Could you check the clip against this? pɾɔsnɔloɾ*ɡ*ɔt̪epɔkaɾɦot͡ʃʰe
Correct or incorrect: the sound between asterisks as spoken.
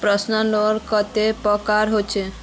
incorrect: k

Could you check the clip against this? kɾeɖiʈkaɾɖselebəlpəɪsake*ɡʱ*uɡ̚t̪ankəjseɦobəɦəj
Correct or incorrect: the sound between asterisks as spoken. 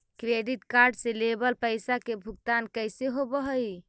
incorrect: bʱ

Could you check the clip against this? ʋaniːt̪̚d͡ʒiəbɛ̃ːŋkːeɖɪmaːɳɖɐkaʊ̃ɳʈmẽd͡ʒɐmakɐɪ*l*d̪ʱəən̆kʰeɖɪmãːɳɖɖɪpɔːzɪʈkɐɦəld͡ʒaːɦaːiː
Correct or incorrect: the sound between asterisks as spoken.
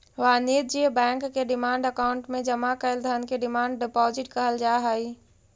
correct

